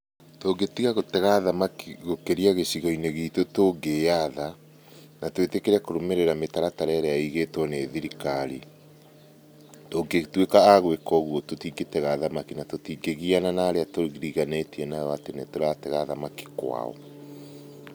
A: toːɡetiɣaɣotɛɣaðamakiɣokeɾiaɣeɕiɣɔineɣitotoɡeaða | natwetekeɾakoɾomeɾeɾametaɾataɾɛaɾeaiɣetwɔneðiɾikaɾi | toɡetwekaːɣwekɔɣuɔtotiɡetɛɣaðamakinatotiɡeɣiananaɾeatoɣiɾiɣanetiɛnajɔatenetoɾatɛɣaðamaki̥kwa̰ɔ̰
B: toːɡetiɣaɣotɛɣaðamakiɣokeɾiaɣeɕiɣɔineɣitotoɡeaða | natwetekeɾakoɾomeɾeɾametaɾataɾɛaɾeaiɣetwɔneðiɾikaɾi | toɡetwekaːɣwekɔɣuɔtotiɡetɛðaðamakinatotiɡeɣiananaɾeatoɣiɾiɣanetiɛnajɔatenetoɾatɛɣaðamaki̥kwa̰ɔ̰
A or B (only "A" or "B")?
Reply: A